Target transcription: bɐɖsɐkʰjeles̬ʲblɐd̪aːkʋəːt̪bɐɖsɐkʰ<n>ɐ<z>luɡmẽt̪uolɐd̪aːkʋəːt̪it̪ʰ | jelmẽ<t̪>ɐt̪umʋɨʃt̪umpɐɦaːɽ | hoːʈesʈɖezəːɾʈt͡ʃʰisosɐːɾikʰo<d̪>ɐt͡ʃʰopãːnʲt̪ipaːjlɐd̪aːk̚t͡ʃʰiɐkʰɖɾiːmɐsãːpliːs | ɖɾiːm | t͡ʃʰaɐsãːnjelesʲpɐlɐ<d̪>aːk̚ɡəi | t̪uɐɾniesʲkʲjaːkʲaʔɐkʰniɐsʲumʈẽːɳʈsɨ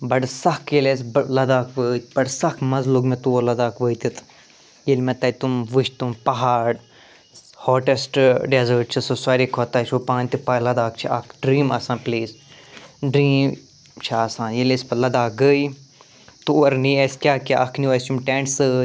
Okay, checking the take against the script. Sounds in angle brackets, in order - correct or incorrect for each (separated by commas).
incorrect, correct, correct, incorrect, correct